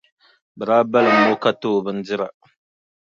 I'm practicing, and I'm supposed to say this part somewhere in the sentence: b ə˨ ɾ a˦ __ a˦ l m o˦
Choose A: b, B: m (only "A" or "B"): A